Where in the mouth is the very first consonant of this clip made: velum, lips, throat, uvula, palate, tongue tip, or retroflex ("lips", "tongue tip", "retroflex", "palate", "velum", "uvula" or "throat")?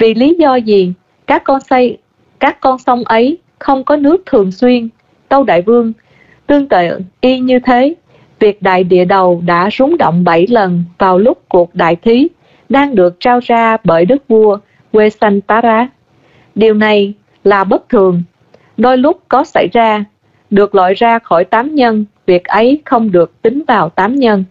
lips